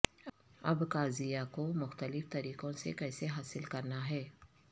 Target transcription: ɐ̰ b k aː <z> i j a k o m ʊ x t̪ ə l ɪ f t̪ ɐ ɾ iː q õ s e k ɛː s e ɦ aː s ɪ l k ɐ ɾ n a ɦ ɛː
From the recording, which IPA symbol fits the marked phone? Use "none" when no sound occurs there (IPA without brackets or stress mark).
z